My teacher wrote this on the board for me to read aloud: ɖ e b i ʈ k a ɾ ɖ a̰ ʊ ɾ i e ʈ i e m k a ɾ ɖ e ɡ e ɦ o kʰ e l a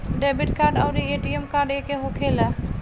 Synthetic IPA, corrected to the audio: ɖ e b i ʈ k a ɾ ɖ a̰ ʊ ɾ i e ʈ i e m k a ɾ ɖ e k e ɦ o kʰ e l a